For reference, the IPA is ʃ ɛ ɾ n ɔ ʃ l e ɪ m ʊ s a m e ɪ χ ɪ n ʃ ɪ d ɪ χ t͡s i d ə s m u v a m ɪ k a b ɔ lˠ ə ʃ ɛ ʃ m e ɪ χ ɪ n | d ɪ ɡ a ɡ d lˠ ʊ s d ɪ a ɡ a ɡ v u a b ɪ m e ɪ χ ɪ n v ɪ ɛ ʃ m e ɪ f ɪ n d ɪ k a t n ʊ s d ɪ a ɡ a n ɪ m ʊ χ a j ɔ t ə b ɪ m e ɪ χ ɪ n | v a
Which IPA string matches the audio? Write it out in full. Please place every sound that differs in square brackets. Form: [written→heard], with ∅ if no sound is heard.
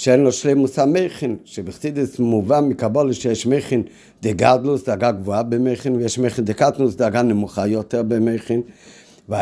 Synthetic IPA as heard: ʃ ɛ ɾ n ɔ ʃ l e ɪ m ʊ s a m e ɪ χ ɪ n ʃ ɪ [d→b] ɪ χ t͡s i d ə s m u v a m ɪ k a b ɔ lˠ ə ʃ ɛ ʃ m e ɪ χ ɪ n | d ɪ ɡ a [ɡ→∅] d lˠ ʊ s d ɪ a ɡ a ɡ v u a b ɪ m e ɪ χ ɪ n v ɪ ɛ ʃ m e ɪ [f→χ] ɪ n d ɪ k a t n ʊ s d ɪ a ɡ a n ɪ m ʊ χ a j ɔ t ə b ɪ m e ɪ χ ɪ n | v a